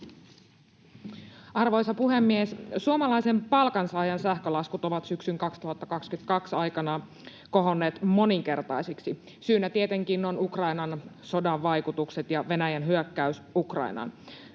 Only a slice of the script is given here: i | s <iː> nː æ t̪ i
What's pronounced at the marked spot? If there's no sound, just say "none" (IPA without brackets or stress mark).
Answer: yː